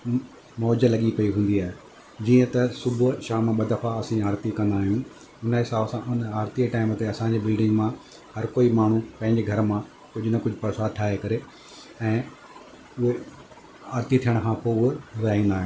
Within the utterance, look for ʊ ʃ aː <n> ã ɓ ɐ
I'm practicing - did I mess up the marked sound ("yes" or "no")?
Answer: yes